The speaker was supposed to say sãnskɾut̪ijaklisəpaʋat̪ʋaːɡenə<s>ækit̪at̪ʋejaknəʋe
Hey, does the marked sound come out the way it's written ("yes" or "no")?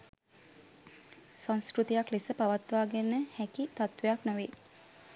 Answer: no